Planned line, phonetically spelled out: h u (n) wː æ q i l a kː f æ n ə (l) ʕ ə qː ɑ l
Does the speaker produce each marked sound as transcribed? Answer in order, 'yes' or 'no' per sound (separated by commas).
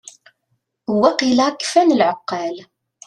no, yes